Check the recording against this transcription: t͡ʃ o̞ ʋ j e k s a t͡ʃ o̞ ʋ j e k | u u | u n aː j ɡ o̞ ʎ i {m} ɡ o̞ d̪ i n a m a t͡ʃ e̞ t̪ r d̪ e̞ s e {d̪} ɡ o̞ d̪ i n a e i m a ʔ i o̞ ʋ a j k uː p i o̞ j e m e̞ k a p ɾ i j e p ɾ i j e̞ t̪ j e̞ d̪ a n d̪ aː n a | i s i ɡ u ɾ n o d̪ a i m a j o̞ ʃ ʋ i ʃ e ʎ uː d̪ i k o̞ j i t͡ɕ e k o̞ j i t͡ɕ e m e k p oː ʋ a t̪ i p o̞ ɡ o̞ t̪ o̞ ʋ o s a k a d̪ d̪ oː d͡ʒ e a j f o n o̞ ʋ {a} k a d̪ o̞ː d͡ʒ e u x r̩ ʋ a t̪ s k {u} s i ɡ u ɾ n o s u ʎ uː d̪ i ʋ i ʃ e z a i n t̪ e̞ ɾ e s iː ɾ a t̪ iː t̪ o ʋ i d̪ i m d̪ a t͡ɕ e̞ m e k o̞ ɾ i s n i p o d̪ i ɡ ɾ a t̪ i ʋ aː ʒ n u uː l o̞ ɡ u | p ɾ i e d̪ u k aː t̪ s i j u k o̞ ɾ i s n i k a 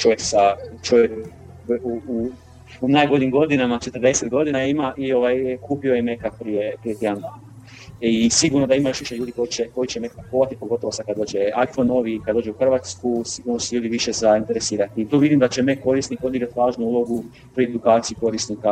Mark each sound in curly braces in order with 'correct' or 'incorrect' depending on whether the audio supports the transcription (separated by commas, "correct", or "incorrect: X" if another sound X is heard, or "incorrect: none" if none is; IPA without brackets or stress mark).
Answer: correct, incorrect: t̪, incorrect: i, correct